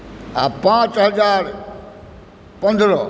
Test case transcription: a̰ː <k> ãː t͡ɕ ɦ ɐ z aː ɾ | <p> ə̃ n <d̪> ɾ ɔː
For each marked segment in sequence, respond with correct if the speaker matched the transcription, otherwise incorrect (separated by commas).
incorrect, correct, correct